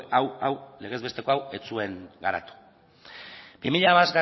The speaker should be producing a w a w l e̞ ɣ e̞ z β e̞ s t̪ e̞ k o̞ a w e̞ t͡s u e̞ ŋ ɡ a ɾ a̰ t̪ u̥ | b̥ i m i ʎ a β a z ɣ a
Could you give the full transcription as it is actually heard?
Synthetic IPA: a w a w l e̞ ɣ e̞ z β e̞ s t̪ e̞ k o̞ a w e̞ t͡s u e̞ ŋ ɡ a ɾ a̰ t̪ u̥ | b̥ i m i ʎ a β a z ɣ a